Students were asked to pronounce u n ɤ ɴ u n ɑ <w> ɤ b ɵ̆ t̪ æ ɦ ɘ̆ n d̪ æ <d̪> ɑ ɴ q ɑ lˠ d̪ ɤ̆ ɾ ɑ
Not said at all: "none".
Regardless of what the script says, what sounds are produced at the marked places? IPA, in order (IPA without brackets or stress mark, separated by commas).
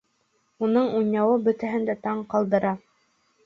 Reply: w, t̪